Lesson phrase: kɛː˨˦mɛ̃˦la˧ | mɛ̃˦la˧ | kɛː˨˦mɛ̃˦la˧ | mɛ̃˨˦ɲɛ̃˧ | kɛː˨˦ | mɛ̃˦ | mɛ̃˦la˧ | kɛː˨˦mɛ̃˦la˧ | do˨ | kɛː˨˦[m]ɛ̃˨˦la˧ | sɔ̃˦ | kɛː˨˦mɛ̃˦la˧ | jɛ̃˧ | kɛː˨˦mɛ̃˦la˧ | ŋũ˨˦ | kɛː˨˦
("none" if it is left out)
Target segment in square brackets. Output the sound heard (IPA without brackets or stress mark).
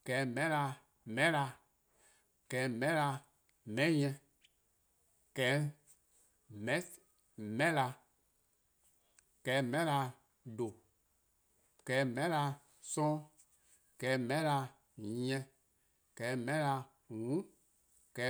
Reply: m